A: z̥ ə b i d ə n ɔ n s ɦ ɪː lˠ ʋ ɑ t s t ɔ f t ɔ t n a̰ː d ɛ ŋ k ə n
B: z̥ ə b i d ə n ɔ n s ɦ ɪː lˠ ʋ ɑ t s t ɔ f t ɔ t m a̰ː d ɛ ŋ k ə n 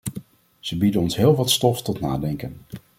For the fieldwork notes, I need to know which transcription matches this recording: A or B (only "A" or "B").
A